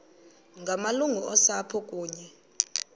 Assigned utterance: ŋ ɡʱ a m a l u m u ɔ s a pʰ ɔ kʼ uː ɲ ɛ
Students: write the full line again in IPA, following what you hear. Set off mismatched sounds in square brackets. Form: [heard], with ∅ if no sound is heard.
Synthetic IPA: ŋ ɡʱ a m a l u [ŋ] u ɔ s a pʰ ɔ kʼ uː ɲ ɛ

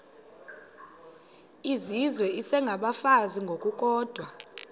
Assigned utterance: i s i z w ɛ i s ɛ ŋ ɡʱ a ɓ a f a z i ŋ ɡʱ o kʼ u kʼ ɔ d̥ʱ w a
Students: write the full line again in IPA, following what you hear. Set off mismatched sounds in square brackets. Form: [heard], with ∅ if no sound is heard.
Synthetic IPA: i [z] i z w ɛ i s ɛ ŋ ɡʱ a ɓ a f a z i ŋ ɡʱ o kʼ u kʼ [ɔː] d̥ʱ w a

